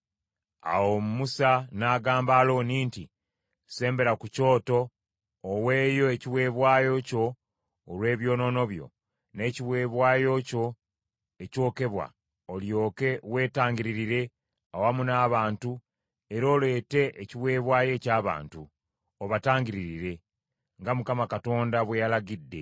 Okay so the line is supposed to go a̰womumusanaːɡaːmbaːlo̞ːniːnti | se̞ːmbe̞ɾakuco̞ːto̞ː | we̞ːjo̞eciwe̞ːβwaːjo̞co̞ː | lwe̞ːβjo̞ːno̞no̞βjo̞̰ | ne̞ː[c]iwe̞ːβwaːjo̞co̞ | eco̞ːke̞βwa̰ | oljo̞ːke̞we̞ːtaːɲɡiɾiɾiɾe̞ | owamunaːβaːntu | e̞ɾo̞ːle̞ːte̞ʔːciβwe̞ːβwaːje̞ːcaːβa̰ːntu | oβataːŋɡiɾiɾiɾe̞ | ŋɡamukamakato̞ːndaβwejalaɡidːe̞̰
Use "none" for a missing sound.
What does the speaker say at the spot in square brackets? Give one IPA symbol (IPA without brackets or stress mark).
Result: c